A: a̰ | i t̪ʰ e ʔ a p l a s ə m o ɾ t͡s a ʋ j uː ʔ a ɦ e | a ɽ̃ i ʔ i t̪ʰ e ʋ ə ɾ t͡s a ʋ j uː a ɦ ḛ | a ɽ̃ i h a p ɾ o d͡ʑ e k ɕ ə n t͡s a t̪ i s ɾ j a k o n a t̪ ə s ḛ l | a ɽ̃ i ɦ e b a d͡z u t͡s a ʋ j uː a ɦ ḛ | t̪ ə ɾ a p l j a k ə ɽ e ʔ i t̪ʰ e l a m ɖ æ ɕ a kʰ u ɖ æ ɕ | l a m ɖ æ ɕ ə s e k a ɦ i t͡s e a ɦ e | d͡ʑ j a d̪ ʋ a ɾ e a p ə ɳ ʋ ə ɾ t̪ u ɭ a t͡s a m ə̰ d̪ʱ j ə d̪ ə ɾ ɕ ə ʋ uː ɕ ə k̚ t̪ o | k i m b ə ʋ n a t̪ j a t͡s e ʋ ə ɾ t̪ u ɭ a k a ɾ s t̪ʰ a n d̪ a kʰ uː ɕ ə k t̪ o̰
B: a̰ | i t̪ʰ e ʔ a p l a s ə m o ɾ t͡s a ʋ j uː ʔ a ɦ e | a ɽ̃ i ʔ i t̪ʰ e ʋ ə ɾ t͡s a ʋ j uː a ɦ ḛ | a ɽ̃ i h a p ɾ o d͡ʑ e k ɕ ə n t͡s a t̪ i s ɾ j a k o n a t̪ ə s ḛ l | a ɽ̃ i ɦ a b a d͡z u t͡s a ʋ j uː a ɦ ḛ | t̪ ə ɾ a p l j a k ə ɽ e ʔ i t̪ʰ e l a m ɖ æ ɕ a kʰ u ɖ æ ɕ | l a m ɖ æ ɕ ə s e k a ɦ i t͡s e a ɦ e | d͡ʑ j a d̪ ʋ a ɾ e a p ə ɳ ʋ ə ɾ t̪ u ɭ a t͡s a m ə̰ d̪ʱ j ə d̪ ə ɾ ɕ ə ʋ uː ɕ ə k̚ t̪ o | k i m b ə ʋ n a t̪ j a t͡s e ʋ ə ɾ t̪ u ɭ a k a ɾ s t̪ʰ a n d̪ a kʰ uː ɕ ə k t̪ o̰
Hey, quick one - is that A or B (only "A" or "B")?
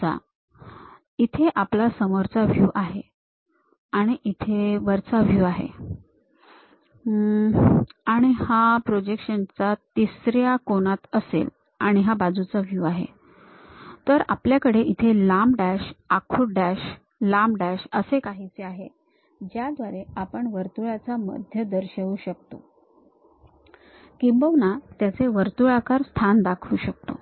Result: B